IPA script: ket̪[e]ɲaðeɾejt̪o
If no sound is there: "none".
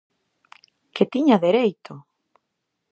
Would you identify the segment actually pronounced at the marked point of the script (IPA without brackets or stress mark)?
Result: i